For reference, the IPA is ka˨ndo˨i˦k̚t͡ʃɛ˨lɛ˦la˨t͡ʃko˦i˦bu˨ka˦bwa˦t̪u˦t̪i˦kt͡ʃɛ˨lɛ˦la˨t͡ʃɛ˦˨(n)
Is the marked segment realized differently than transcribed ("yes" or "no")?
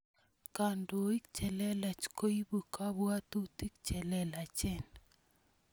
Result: no